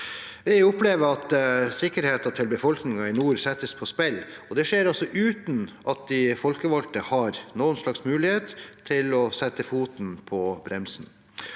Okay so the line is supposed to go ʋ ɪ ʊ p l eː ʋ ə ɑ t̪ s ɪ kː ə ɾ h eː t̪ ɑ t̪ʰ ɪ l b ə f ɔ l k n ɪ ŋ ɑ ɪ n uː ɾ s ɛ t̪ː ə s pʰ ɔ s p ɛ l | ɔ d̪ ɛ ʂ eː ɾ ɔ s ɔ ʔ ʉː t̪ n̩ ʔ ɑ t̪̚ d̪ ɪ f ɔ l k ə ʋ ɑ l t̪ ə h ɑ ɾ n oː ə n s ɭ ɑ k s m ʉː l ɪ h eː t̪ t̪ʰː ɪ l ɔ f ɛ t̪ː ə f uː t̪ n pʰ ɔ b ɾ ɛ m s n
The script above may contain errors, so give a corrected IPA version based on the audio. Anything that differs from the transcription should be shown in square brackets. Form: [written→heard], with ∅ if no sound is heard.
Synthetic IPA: ʋ ɪ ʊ p l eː ʋ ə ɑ t̪ s ɪ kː ə ɾ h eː t̪ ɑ t̪ʰ ɪ l b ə f ɔ l k n ɪ ŋ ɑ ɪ n uː ɾ s ɛ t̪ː ə s pʰ ɔ s p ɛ l | ɔ d̪ ɛ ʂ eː ɾ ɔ s ɔ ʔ ʉː t̪ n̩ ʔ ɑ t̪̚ d̪ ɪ f ɔ l k ə ʋ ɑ l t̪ ə h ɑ ɾ n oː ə n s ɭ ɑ k s m ʉː l ɪ h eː t̪ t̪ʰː ɪ l ɔ [f→s] ɛ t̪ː ə f uː t̪ n pʰ ɔ b ɾ ɛ m s n